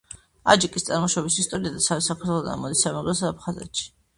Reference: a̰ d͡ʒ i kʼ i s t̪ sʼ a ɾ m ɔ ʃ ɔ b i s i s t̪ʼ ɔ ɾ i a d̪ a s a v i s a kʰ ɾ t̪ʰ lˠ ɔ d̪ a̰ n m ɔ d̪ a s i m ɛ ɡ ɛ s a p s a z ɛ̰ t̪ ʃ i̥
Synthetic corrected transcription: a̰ d͡ʒ i kʼ i s t̪ sʼ a ɾ m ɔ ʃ ɔ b i s i s t̪ʼ ɔ ɾ i a d̪ a s a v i s a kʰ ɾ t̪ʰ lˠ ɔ d̪ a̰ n m ɔ d̪ i s a m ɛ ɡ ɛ s a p χ a z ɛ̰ t̪ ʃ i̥